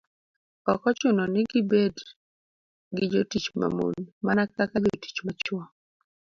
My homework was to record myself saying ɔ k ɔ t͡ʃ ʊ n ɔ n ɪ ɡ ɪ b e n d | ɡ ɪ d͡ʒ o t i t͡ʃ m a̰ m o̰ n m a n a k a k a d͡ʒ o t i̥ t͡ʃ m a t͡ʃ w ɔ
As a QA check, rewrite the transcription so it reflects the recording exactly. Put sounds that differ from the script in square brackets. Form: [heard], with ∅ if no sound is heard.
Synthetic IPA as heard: ɔ k ɔ t͡ʃ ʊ n ɔ n ɪ ɡ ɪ b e [∅] d | ɡ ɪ d͡ʒ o t i t͡ʃ m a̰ m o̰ n m a n a k a k a d͡ʒ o t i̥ t͡ʃ m a t͡ʃ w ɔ